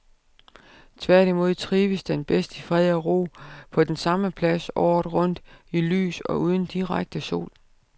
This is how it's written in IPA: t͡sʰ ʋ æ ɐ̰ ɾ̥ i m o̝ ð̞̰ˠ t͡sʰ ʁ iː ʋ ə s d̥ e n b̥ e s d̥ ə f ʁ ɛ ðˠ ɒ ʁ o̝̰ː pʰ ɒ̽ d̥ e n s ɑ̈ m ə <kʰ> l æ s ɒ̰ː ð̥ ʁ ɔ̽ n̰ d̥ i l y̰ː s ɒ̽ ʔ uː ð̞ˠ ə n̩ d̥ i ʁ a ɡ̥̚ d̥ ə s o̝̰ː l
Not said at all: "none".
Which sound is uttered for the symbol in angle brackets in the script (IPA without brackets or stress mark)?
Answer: pʰ